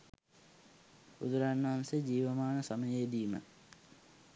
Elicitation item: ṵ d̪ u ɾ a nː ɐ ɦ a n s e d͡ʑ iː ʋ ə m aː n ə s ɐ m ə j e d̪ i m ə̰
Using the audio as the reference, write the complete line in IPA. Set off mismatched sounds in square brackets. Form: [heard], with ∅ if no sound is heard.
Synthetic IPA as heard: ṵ d̪ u ɾ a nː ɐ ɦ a n s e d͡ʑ iː ʋ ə m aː n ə s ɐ m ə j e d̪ [iː] m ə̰